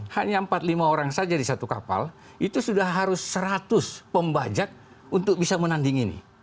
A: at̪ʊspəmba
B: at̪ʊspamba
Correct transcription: A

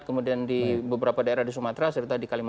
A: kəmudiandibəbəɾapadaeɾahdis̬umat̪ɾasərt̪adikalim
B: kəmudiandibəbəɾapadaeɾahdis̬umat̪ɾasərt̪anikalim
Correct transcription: A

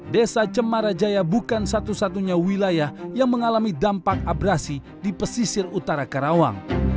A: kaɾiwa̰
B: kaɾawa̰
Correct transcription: B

